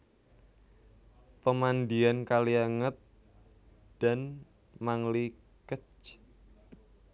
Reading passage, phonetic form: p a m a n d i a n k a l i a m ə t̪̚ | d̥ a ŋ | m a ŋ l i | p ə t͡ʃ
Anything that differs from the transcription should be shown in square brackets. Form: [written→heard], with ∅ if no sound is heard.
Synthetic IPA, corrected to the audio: p [a→ə] m a n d i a n k a l i a [m→ŋ] ə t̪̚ | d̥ a [ŋ→n] | m a ŋ l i | [p→k] ə t͡ʃ

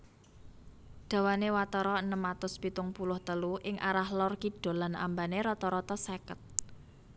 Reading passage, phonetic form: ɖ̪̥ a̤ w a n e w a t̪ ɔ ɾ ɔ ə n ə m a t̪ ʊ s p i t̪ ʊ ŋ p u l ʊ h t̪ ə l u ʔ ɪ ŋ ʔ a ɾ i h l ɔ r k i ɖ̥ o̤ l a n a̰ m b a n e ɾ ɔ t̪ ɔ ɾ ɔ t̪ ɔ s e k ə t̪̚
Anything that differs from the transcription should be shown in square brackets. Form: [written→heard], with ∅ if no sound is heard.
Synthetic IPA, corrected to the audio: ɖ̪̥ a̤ w a n e w a t̪ ɔ ɾ ɔ ə n ə m a t̪ ʊ s p i t̪ ʊ ŋ p u l ʊ h t̪ ə l u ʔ ɪ ŋ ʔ a ɾ [i→a] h l ɔ r k i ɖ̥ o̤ l a n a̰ m b a n e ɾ ɔ t̪ ɔ ɾ ɔ t̪ ɔ s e k ə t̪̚

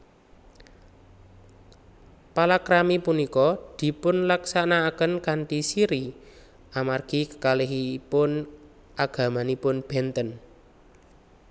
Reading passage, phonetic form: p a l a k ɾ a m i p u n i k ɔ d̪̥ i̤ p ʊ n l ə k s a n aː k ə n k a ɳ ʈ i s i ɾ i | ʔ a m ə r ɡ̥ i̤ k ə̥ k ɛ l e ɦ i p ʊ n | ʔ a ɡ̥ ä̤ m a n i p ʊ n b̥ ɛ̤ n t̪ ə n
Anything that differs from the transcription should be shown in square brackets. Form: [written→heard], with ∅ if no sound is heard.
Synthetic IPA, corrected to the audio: p a l a k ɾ a m i p u n i k ɔ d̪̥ i̤ p ʊ n l [ə→a] k s a n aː k ə n k a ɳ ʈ i s i ɾ i | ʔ a m [ə→a] r ɡ̥ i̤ k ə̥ k [ɛ→a] l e ɦ i p ʊ n | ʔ a ɡ̥ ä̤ m a n i p ʊ n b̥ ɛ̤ n t̪ ə n

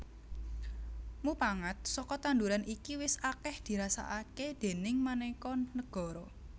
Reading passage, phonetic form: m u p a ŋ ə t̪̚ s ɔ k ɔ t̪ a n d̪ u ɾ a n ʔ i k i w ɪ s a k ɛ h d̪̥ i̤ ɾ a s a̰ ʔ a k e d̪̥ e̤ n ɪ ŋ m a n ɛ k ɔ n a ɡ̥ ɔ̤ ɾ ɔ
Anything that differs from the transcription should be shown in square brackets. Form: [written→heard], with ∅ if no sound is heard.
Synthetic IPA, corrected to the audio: m u p a ŋ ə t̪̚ s ɔ k ɔ t̪ a n d̪ u ɾ a n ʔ i k i w ɪ s a k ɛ h d̪̥ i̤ ɾ a s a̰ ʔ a k e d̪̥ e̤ n ɪ ŋ m a n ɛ k ɔ n [a→ə] ɡ̥ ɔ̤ ɾ ɔ

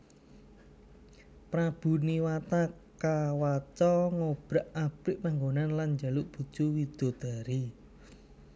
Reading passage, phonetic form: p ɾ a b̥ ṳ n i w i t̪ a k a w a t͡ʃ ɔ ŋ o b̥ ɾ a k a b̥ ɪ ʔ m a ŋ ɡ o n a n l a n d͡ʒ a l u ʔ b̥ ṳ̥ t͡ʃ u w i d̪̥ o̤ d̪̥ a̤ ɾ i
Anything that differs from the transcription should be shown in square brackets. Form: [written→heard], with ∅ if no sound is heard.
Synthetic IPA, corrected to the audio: p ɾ a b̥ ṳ n i w [i→a] t̪ a k a w a t͡ʃ ɔ ŋ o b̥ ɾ a [k→ʔ] a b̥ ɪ ʔ m a ŋ ɡ o n a n l a n d͡ʒ a l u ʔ b̥ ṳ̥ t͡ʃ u w i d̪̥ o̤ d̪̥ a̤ ɾ i

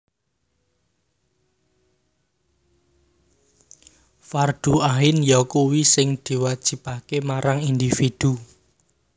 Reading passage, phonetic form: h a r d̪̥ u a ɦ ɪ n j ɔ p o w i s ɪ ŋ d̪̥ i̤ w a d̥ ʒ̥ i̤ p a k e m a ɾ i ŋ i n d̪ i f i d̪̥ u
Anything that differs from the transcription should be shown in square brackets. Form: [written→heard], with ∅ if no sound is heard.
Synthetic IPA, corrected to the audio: [h→f] a r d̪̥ u a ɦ ɪ n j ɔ [p→k] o w i s ɪ ŋ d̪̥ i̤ w a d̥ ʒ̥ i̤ p a k e m a ɾ [i→a] ŋ i n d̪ i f i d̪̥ u

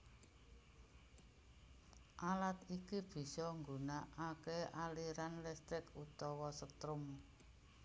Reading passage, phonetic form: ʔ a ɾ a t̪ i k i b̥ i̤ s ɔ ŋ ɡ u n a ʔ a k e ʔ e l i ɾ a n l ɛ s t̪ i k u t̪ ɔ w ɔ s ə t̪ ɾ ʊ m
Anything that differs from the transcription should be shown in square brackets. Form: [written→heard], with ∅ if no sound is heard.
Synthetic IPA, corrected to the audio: ʔ a [ɾ→l] a t̪ i k i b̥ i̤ s ɔ ŋ ɡ u n a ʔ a k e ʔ [e→a] l i ɾ a n l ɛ s t̪ [i→ɪ] k u t̪ ɔ w ɔ s ə t̪ ɾ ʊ m

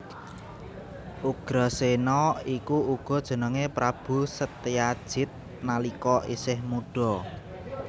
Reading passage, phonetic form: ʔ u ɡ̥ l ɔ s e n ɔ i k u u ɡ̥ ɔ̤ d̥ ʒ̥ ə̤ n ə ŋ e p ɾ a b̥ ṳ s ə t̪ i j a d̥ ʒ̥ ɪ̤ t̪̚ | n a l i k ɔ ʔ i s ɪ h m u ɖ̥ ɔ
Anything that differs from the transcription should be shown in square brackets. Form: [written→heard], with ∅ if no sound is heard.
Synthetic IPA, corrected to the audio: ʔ u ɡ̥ [l→ɾ] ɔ s e n ɔ i k u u ɡ̥ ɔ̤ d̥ ʒ̥ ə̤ n ə ŋ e p ɾ a b̥ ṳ s ə t̪ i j a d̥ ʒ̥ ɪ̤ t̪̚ | n a l i k ɔ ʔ i s ɪ h m u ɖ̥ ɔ

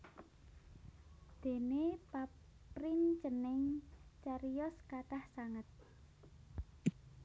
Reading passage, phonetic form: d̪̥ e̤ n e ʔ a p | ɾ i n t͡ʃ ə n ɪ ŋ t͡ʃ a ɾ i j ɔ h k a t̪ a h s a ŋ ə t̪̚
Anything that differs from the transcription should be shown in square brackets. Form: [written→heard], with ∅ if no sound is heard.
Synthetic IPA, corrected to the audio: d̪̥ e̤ n e [ʔ→p] a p | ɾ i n t͡ʃ ə n ɪ ŋ t͡ʃ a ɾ i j ɔ [h→s] k a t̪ a h s a ŋ ə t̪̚

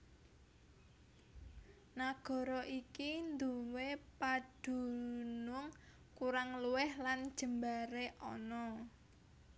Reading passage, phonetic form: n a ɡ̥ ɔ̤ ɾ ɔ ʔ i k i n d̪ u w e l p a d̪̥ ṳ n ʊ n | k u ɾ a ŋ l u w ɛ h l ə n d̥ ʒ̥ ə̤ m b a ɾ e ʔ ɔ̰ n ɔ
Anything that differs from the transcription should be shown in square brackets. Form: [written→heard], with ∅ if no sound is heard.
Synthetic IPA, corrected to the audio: n a ɡ̥ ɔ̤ ɾ ɔ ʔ i k i n d̪ u w e [l→∅] p a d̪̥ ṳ n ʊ [n→ŋ] | k u ɾ a ŋ l u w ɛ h l [ə→a] n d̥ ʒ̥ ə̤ m b a ɾ e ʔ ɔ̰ n ɔ

